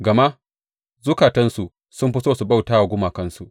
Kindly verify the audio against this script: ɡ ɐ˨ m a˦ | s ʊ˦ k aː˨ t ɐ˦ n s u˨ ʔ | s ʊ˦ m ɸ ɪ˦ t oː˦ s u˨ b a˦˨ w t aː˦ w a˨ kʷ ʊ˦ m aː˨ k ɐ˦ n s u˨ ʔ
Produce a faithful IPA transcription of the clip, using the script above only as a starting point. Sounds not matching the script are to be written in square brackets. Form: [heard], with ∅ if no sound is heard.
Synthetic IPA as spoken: ɡ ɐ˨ m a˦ | [z] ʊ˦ k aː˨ t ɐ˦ n s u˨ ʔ | s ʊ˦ m ɸ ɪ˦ [s] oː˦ s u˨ b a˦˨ w t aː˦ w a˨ [ɡʷ] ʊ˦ m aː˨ k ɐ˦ n s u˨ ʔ

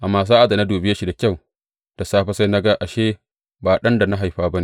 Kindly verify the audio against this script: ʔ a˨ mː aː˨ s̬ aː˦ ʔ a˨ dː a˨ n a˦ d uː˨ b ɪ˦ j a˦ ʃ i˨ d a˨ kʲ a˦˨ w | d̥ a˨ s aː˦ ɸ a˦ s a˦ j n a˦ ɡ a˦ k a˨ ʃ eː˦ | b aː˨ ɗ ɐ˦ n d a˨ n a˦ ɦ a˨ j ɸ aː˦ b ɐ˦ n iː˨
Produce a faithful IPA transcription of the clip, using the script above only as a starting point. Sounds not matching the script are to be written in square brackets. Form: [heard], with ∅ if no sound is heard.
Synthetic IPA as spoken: ʔ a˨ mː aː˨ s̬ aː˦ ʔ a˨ [d] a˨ n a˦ d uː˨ b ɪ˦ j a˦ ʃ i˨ d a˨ kʲ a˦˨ w | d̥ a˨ s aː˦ ɸ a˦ s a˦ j n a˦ ɡ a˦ [ʔ] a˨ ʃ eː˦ | b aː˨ ɗ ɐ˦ n d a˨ n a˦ ɦ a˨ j ɸ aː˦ b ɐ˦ n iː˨

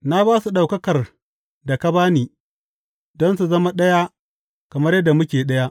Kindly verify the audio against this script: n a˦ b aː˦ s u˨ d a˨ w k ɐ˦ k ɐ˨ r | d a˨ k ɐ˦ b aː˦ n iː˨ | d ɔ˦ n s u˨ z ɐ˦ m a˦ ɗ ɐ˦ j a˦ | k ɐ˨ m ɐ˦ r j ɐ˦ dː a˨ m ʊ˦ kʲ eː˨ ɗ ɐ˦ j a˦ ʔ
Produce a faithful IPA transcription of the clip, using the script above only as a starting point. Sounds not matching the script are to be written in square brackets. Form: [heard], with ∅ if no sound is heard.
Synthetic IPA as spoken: n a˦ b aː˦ s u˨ [ɗ] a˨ w k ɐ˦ k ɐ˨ r | d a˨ k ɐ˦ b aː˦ n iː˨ | d ɔ˦ n s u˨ z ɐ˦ m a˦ ɗ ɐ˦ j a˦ | k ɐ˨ m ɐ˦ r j ɐ˦ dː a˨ m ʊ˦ kʲ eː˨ ɗ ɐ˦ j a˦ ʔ

